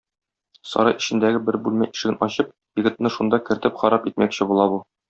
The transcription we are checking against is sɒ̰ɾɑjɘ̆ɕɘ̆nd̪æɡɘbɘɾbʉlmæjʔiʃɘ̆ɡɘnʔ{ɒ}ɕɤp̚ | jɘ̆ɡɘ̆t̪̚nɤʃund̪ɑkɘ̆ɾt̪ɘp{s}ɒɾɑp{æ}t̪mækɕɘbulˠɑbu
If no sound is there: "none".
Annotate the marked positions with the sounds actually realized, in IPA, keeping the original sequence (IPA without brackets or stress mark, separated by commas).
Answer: ɒ, χ, i